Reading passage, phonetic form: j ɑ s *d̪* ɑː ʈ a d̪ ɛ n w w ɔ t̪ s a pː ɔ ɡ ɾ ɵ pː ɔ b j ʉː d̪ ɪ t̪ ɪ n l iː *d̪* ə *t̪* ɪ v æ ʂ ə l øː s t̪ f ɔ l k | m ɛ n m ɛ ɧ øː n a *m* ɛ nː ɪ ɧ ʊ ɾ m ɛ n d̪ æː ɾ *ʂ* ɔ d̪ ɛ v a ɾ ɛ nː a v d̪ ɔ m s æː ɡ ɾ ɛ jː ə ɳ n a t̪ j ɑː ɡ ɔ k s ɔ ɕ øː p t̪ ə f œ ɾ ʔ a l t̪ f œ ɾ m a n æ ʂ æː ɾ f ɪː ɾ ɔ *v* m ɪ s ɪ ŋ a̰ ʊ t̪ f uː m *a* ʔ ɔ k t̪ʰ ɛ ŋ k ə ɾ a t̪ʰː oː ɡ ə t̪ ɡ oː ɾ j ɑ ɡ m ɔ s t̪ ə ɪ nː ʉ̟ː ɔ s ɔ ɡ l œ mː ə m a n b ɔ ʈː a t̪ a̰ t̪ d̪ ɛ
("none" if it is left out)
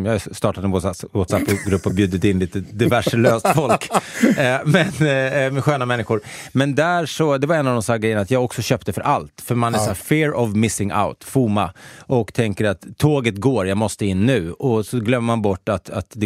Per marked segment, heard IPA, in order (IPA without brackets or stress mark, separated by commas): t̪, t̪, d̪, m, ʂ, v, a